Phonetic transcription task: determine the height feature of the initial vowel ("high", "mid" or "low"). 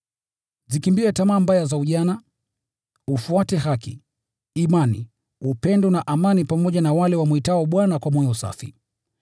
high